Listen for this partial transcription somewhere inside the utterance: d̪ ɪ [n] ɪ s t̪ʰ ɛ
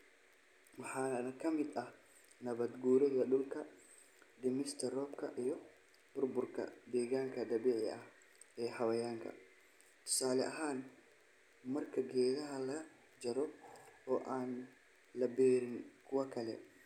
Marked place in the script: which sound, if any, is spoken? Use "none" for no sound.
m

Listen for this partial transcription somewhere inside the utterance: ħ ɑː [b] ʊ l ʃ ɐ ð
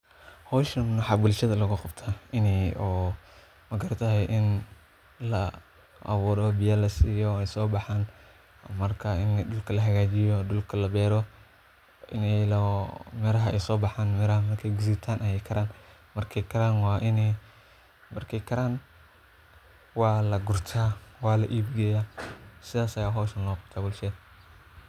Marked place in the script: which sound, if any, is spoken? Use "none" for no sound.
b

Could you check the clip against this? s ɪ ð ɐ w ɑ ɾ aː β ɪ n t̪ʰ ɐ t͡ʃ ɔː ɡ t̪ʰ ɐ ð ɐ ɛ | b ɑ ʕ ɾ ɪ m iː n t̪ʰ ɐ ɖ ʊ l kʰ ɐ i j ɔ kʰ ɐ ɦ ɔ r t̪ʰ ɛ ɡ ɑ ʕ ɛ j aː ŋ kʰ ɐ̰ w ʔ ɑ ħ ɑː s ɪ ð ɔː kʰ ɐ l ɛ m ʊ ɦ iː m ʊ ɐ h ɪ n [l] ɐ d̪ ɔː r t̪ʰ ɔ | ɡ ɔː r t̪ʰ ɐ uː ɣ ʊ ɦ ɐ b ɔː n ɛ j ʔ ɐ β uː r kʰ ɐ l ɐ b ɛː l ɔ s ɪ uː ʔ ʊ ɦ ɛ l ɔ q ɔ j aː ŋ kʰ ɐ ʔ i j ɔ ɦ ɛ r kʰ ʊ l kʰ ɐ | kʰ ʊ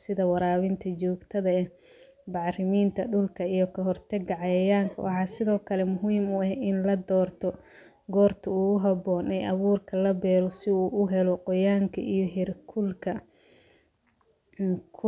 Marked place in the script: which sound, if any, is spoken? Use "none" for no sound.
l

